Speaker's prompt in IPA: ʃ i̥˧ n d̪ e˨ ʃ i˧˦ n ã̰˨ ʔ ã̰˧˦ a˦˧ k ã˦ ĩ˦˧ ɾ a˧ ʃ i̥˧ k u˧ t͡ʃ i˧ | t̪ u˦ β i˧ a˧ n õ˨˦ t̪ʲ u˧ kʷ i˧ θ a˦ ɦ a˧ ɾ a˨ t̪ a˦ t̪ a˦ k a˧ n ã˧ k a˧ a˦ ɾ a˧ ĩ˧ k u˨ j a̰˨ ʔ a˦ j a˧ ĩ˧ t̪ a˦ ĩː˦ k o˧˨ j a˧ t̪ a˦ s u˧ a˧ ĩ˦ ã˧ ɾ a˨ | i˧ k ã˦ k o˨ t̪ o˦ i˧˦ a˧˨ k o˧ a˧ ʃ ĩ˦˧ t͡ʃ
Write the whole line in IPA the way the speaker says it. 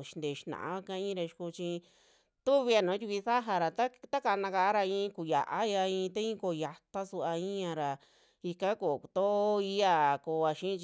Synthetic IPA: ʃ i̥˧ n d̪ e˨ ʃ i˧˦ n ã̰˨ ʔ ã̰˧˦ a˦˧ k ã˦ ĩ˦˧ ɾ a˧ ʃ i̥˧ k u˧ t͡ʃ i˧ | t̪ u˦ β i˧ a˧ n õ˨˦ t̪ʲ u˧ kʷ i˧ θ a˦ ɦ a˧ ɾ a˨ t̪ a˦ t̪ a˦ k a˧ n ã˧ k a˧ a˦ ɾ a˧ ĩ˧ k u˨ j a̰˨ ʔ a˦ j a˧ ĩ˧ t̪ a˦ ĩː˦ k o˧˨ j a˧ t̪ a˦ s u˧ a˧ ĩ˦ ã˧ ɾ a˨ | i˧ k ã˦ k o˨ t̪ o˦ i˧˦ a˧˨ k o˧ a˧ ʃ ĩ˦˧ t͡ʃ